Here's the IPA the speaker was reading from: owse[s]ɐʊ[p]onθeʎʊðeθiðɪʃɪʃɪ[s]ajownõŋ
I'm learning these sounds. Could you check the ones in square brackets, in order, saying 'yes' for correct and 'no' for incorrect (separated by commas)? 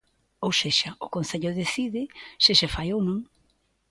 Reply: no, no, no